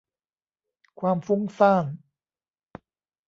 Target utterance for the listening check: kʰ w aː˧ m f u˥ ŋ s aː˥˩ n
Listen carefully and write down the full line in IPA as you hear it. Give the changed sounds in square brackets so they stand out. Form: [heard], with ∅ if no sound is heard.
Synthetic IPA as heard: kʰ w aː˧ m f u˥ ŋ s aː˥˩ n